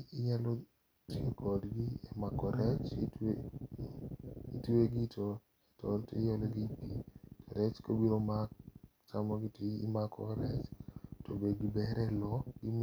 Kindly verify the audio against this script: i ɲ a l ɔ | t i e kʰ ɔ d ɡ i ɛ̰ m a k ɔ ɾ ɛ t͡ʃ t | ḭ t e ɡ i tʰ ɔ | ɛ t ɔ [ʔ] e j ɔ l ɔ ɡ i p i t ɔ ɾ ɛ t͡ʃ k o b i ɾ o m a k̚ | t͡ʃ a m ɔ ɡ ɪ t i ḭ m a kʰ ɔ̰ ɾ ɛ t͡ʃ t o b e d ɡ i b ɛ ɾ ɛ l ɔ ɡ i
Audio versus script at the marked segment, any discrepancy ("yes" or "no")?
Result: yes